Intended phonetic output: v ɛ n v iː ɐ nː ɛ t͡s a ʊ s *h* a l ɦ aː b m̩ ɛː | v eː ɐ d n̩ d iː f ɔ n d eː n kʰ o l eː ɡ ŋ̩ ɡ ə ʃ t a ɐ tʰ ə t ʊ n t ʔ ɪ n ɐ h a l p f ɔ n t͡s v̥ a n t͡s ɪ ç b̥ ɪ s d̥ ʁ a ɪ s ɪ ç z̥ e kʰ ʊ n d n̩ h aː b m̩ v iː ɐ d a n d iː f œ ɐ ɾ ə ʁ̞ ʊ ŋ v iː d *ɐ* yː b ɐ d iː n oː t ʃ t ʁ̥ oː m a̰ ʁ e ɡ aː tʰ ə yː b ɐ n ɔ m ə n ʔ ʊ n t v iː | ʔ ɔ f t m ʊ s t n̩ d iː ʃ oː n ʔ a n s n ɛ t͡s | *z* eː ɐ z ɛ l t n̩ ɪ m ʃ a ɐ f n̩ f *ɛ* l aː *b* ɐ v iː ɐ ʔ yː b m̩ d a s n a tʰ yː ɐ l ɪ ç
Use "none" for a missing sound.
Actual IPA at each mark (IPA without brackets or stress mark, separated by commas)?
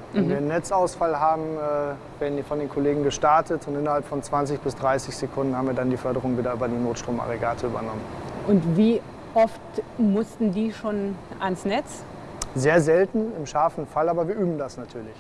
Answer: f, ɐ, z, a, b